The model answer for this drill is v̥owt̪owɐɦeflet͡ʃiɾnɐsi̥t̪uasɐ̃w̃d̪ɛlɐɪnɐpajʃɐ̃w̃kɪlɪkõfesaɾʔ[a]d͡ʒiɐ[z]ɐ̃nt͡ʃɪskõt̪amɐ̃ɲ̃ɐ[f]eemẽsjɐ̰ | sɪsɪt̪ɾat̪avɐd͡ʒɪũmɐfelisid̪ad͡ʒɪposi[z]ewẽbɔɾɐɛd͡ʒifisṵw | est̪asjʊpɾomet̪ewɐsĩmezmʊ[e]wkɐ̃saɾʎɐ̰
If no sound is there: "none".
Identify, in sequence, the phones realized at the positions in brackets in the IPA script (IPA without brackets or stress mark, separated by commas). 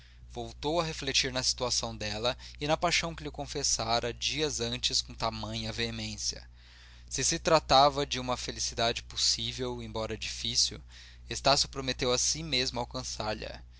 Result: ɐ, z, v, v, a